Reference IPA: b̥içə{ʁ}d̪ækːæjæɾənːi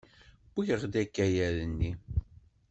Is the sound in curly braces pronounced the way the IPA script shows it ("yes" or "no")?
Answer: yes